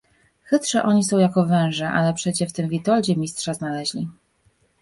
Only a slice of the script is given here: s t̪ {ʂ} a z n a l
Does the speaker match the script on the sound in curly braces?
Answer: yes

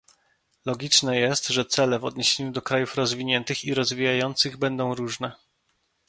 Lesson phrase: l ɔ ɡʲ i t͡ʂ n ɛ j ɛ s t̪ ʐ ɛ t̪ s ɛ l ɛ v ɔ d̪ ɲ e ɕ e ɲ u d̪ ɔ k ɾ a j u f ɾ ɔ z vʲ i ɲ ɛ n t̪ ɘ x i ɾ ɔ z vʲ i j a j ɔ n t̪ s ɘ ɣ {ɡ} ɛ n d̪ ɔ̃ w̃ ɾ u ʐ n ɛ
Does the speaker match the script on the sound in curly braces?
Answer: no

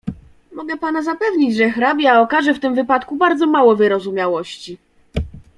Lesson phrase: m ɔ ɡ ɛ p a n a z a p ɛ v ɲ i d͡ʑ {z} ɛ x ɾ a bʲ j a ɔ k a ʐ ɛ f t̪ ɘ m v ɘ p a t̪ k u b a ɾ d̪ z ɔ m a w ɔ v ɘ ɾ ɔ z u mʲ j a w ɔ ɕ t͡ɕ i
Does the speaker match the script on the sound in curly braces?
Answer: no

